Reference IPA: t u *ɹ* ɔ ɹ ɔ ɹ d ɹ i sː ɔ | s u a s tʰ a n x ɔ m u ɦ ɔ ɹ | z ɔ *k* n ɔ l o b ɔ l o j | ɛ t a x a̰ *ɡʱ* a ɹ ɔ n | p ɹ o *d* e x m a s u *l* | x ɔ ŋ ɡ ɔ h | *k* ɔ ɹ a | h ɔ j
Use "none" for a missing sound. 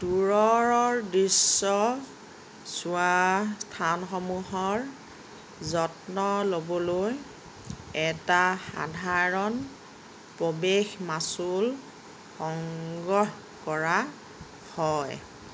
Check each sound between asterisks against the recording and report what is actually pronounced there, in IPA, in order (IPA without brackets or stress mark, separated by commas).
ɹ, t, dʱ, b, l, k